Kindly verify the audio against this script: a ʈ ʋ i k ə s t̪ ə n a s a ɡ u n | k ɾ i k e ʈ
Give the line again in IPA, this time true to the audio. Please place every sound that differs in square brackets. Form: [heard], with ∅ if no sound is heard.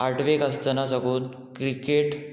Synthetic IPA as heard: a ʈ ʋ [e] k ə s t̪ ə n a s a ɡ [uː] n | k ɾ i k e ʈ